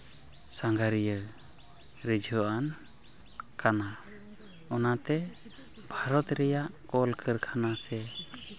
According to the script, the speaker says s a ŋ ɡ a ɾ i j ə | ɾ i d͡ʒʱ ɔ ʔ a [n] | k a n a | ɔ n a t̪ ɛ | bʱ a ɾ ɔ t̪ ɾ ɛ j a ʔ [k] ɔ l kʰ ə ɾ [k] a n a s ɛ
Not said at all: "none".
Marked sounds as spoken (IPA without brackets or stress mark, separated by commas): n, k, kʰ